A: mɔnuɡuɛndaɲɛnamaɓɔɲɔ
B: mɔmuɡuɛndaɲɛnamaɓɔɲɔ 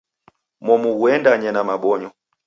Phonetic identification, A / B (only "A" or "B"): B